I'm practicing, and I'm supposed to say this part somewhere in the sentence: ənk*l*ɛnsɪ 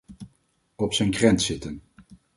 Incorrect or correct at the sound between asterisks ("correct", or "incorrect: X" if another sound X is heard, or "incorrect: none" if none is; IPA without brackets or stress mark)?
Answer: incorrect: r